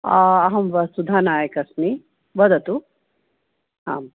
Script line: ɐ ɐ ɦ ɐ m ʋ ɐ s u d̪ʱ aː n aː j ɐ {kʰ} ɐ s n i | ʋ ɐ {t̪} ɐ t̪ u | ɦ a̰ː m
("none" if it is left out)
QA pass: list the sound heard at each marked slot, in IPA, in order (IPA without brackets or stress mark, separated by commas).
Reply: k, d̪